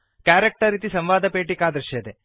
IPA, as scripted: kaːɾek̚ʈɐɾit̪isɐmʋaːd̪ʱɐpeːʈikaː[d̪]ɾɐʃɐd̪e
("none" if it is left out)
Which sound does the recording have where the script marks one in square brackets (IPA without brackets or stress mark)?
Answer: d̪